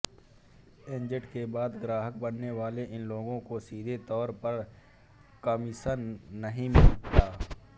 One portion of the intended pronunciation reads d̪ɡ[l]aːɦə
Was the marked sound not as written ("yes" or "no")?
yes